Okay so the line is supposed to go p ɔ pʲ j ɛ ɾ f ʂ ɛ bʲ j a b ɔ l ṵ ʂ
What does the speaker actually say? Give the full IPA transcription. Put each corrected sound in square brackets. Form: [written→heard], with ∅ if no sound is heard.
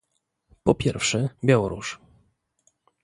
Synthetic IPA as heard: p ɔ pʲ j ɛ ɾ f ʂ ɛ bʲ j a [b→w] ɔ [l→ɾ] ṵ ʂ